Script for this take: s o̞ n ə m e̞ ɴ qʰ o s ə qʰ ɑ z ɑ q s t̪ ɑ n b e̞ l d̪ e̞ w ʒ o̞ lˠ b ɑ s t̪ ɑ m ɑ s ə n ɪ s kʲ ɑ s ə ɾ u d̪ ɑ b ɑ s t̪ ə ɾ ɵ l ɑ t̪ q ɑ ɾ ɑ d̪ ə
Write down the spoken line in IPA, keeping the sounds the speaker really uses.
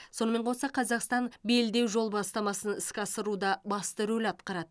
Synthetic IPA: s o̞ n ə m e̞ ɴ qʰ o s ɑ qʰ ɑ z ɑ q s t̪ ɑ n b e̞ l d̪ e̞ w ʒ o̞ lˠ b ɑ s t̪ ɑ m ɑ s ə n ɪ s kʲ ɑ s ə ɾ u d̪ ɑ b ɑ s t̪ ə ɾ ɵ l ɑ t̪ q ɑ ɾ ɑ d̪ ə